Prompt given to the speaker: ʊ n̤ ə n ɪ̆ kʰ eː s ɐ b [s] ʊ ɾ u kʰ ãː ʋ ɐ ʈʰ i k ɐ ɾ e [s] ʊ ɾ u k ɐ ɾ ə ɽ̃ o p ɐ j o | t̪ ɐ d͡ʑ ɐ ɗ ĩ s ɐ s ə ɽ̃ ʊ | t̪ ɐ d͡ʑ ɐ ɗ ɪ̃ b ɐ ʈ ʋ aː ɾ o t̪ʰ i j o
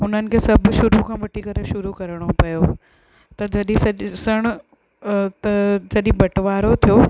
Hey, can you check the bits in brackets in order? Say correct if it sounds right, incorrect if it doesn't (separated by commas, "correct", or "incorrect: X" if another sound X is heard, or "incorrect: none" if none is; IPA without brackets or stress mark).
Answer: incorrect: ʃ, incorrect: ʃ